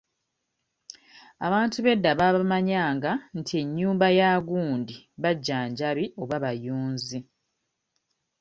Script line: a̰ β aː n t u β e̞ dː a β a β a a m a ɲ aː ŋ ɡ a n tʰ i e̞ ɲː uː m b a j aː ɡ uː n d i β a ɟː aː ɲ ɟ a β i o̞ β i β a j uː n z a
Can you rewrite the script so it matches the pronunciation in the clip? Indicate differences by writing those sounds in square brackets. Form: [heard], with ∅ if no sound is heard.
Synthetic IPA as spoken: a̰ β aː n t u β e̞ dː a β a β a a m a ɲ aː ŋ ɡ a n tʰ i e̞ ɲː uː m b a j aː ɡ uː n d i β a ɟː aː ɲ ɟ a β i o̞ β [a] β a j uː n z [i]